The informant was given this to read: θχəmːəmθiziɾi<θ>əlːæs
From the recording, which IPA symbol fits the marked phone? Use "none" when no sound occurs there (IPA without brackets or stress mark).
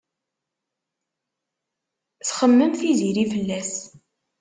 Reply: f